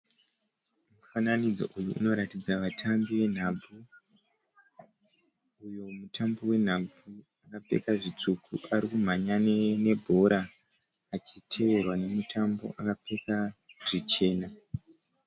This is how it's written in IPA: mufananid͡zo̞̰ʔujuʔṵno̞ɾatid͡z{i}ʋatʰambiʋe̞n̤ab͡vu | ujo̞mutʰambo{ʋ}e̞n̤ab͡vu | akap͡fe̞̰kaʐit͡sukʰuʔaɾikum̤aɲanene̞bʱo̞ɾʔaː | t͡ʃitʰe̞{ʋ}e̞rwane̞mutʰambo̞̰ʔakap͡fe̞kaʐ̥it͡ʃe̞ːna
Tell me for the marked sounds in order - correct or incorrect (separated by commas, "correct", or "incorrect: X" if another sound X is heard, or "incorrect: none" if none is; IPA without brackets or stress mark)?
incorrect: a, incorrect: w, correct